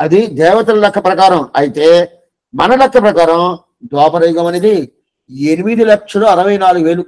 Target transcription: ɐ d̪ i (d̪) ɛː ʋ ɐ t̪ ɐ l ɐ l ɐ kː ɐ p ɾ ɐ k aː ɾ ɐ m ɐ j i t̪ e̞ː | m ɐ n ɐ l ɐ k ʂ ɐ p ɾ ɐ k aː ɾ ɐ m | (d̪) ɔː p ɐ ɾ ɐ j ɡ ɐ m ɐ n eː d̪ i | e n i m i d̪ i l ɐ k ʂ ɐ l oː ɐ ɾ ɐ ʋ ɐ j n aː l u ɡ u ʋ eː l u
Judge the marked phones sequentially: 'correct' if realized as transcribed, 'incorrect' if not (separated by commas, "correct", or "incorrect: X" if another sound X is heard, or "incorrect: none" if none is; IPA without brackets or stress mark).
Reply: correct, correct